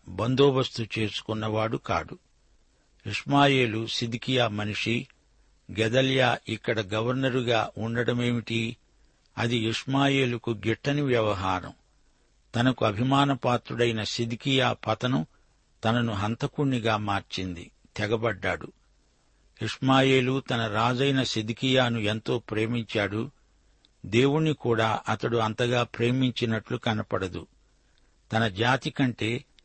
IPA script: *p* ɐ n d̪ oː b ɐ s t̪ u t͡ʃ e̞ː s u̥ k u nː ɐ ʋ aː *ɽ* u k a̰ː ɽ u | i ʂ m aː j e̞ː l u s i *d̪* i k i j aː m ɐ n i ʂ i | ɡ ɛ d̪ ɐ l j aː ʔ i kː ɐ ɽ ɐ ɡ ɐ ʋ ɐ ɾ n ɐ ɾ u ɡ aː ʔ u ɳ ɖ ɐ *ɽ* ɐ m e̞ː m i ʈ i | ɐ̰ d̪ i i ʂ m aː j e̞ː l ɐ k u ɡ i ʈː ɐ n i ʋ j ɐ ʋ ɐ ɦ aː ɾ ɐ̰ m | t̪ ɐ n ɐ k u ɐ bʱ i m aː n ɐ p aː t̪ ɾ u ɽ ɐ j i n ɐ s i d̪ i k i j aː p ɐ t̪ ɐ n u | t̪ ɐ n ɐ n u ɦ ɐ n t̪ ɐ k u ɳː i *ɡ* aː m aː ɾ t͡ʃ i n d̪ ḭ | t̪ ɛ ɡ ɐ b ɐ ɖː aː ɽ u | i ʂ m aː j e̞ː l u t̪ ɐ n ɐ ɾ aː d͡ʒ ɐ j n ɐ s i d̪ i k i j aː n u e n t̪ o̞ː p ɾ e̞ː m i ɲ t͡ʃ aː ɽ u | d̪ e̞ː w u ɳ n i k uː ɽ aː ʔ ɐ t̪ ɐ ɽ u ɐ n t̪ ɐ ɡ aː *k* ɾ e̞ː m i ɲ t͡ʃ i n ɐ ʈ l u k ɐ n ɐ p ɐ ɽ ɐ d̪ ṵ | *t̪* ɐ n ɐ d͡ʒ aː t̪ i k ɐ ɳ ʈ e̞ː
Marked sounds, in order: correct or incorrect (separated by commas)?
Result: incorrect, correct, correct, correct, correct, incorrect, correct